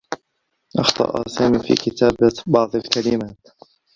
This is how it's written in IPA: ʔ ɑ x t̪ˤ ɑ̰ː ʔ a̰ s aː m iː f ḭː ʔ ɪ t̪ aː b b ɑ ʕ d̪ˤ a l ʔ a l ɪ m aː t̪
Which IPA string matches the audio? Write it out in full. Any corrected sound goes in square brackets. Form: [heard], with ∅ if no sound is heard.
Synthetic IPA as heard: ʔ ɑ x t̪ˤ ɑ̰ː ʔ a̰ s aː m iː f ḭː [k] ɪ t̪ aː b b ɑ ʕ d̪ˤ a l [k] a l ɪ m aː t̪